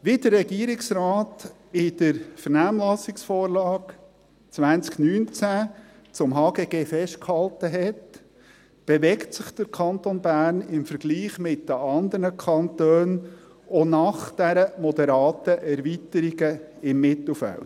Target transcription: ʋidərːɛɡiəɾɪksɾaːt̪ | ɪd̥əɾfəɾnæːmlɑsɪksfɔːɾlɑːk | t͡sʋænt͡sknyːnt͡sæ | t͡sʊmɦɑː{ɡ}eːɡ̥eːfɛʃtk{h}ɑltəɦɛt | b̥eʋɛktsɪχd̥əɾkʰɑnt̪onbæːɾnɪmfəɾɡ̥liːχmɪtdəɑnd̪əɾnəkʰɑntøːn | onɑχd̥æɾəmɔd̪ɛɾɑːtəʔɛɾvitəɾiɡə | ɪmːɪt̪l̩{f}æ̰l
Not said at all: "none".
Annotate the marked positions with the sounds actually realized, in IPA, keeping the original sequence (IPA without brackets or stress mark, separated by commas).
ɡ, h, f